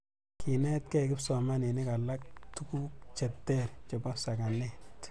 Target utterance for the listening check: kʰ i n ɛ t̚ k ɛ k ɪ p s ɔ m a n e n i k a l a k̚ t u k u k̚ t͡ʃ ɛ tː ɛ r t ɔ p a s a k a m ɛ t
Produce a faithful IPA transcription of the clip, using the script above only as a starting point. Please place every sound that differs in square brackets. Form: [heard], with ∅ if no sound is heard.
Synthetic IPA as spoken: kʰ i n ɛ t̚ k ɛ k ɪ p s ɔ m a n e n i k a l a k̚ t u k u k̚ t͡ʃ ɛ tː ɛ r [t͡ʃ] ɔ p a s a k a [n] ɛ t